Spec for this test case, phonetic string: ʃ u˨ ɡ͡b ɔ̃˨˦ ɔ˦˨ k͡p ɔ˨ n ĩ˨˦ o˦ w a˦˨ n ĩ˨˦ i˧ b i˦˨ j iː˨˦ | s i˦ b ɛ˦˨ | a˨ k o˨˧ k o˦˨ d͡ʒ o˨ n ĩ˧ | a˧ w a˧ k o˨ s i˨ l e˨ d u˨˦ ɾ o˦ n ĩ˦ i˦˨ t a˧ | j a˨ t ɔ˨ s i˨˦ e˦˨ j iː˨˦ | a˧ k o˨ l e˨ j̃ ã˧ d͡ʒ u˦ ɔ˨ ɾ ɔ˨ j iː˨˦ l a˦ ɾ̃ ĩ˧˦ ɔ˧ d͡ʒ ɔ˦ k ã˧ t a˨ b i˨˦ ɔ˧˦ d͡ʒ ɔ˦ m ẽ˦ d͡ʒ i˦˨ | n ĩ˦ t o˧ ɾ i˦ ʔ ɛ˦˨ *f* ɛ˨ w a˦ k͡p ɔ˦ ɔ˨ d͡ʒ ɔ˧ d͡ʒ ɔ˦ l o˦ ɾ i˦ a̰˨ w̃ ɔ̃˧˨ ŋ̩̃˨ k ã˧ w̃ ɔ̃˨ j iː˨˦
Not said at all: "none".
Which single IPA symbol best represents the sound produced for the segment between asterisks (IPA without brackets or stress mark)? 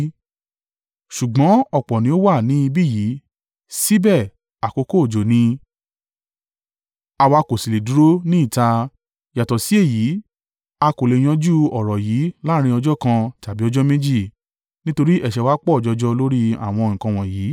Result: ʃ